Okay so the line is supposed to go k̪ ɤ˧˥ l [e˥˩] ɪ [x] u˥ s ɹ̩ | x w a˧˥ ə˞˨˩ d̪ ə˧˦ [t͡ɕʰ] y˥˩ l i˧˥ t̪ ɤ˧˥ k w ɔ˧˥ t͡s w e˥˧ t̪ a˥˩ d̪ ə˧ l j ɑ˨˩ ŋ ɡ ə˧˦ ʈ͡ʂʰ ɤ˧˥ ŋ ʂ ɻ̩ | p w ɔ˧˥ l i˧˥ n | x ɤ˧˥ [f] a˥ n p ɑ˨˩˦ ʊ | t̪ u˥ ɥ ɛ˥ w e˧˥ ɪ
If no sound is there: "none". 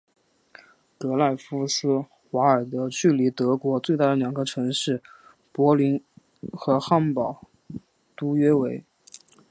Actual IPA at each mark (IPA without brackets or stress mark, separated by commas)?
a˥˩, f, t͡ɕ, x